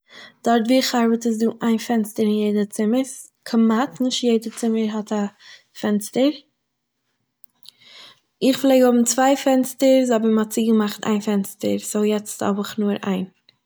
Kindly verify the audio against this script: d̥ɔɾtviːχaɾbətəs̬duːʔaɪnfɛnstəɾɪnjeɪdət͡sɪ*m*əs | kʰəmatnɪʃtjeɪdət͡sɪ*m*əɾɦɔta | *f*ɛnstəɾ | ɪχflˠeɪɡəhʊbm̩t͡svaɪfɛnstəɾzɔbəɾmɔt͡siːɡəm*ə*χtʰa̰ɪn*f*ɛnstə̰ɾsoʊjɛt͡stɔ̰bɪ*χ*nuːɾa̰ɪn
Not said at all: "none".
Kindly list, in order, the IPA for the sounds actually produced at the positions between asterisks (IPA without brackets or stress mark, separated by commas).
m, m, f, a, f, χ